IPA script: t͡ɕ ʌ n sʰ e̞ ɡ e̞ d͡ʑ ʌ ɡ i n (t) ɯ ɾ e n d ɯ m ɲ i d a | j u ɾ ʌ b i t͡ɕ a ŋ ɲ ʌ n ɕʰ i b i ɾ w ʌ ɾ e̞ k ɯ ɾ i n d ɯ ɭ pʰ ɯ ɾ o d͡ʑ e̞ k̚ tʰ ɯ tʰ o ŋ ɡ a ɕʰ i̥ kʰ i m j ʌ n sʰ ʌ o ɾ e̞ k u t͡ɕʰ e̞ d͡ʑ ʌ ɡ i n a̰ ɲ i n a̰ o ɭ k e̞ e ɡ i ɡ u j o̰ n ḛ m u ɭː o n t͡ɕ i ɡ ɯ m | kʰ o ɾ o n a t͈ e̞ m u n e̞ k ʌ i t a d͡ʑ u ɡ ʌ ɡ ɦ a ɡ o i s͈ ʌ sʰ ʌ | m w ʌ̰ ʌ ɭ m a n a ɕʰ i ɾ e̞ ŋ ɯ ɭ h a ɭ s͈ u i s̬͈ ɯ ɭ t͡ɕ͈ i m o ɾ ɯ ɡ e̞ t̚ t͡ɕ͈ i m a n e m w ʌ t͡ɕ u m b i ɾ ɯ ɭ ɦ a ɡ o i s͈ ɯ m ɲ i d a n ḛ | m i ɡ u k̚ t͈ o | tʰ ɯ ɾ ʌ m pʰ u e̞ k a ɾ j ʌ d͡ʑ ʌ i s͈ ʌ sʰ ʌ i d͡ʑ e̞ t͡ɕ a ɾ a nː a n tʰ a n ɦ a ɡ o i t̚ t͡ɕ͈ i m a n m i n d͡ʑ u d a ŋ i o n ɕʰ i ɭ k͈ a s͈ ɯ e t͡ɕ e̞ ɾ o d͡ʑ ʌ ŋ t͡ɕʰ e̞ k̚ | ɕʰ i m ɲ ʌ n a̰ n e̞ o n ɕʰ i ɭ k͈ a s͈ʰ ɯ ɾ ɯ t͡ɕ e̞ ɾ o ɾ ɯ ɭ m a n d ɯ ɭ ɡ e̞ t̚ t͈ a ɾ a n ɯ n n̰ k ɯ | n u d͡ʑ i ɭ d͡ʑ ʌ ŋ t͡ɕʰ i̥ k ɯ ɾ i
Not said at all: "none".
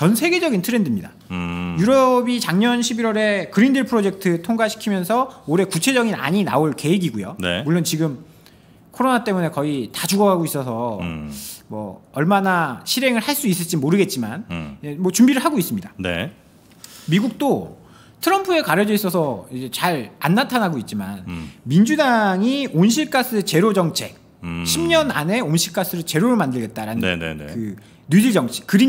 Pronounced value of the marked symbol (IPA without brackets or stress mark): tʰ